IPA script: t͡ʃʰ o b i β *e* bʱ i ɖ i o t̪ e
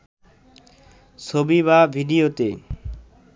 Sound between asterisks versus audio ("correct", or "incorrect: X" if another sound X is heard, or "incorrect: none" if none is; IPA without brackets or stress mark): incorrect: a